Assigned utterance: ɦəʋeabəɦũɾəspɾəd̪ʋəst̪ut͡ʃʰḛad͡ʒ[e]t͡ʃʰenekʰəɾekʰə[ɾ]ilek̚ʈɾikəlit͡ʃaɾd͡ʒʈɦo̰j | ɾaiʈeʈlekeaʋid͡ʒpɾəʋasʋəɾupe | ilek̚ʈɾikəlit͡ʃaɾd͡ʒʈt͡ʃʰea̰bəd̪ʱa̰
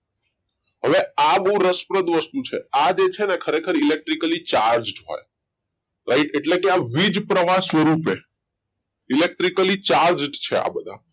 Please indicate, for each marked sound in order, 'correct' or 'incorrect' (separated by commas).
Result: correct, correct